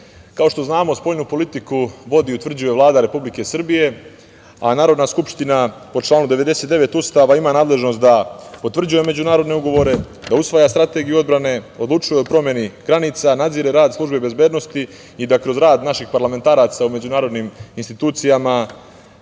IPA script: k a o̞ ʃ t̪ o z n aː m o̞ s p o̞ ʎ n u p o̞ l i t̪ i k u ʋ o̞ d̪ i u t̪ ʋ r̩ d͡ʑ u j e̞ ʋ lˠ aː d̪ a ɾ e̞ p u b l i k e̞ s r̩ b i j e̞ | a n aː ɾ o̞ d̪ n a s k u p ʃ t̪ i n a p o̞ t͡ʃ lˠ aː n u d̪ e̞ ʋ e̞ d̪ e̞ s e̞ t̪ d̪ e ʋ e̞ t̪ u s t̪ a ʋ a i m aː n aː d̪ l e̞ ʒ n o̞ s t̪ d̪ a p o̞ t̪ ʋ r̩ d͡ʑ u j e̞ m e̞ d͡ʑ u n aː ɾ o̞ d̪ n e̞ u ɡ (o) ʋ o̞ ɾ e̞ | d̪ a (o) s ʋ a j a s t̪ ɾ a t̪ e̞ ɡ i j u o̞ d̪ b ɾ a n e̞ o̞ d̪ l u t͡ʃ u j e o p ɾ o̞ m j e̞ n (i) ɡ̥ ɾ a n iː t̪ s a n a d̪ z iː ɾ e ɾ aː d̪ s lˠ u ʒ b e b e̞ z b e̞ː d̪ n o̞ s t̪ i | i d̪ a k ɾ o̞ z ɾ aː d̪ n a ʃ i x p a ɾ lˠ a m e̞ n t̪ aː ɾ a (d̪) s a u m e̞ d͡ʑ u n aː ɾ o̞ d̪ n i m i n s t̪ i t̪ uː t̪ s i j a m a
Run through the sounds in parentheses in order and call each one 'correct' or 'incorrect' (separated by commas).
correct, incorrect, correct, incorrect